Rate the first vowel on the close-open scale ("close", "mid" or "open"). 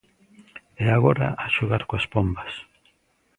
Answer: mid